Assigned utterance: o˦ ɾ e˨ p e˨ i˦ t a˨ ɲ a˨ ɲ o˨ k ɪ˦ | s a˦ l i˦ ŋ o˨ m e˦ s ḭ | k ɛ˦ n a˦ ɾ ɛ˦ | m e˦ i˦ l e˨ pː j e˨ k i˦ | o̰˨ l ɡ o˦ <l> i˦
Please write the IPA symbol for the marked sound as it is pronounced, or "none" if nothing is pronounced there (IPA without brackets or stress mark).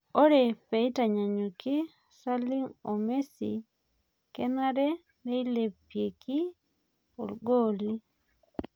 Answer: l